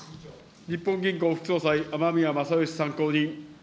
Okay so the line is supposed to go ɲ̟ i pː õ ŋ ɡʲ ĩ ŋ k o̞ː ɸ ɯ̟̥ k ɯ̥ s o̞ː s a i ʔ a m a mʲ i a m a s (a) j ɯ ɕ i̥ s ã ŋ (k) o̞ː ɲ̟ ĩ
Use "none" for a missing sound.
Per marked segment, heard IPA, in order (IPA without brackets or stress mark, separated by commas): a, k